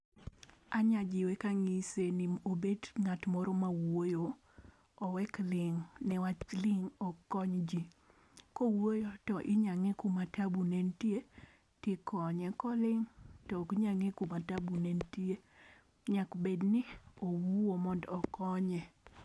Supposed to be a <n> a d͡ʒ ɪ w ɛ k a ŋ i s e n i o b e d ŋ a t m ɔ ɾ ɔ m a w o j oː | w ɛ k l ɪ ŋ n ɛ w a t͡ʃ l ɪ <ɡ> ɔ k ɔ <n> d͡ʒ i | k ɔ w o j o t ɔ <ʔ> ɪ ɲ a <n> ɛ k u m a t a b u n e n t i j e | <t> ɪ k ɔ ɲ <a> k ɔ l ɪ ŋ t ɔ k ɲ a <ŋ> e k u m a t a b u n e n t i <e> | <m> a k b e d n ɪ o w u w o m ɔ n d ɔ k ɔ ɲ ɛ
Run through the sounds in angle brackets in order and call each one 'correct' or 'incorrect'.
incorrect: ɲ, incorrect: ŋ, incorrect: ɲ, correct, incorrect: ŋ, correct, incorrect: ɛ, correct, correct, incorrect: ɲ

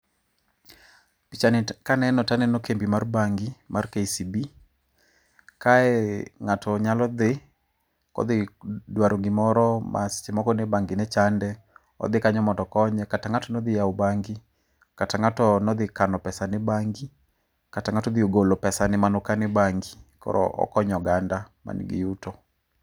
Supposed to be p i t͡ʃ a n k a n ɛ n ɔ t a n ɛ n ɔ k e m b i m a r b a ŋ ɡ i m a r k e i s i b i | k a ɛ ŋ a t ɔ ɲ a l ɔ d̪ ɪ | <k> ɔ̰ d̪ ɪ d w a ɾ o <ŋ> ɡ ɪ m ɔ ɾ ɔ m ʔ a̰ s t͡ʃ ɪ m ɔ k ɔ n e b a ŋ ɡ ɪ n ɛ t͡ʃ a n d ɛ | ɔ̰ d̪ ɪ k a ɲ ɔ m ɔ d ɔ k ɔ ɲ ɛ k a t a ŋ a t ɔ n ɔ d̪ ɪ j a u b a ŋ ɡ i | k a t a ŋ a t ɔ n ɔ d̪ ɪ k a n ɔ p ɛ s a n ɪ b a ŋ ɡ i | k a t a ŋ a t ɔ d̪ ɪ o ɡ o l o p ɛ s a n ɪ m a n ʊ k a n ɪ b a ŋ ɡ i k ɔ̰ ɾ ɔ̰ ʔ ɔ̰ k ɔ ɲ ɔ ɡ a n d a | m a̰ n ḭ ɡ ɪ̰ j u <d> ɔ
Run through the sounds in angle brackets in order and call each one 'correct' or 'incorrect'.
correct, correct, incorrect: t

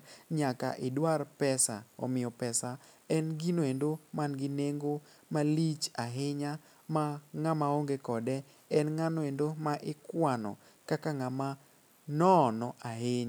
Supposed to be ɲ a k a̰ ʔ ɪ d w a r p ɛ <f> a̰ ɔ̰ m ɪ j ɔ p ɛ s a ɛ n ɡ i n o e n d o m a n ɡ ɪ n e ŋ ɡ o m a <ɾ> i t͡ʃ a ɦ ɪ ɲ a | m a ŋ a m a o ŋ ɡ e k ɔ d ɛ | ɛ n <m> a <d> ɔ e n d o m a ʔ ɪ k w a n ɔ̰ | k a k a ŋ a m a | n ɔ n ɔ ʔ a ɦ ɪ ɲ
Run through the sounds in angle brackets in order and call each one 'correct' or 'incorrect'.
incorrect: s, incorrect: l, incorrect: ŋ, incorrect: n

